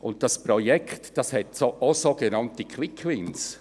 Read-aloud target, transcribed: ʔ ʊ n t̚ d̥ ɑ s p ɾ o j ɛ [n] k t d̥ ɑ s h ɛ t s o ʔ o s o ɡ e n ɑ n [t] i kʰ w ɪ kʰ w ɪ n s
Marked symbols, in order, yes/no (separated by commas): no, yes